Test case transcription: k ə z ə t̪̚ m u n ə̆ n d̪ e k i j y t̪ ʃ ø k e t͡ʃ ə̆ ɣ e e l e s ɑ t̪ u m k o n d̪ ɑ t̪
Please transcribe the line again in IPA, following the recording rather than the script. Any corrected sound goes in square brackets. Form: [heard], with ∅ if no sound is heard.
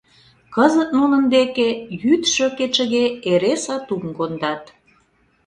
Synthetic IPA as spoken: k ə z ə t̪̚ [n] u n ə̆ n d̪ e k [e] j y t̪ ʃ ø k e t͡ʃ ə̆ ɣ e e [ɾ] e s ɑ t̪ u m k o n d̪ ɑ t̪